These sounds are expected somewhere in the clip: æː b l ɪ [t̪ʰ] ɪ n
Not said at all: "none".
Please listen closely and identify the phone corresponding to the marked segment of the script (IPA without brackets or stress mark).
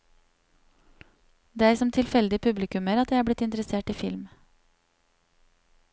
t̪